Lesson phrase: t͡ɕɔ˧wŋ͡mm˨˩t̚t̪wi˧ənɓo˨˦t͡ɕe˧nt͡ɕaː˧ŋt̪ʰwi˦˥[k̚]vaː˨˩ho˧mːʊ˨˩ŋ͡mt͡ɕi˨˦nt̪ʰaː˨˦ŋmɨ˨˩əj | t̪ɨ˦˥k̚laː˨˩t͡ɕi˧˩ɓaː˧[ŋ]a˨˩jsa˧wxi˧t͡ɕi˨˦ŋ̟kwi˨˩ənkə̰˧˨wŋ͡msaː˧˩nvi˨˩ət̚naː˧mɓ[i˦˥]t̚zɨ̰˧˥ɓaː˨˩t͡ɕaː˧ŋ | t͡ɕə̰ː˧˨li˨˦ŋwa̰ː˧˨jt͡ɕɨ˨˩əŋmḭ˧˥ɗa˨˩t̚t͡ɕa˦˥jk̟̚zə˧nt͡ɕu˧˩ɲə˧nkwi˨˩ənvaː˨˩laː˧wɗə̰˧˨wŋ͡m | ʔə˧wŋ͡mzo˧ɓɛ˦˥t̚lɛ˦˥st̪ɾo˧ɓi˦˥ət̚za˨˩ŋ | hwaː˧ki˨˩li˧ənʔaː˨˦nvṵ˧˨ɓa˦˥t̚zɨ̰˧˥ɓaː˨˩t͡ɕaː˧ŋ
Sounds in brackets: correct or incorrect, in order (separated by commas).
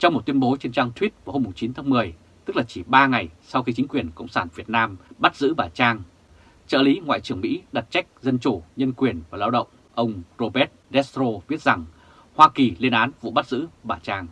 incorrect, correct, incorrect